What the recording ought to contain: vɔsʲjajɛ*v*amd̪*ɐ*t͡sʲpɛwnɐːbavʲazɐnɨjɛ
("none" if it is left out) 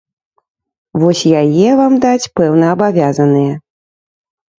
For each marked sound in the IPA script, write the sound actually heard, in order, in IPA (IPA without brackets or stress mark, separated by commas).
v, a